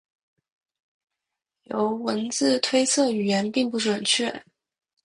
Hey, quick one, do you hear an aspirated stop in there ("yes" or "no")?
yes